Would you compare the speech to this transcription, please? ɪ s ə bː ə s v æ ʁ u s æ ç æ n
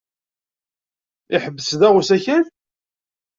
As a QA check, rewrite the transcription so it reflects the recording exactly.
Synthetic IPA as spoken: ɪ ħ ə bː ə s ð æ ʁ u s æ ç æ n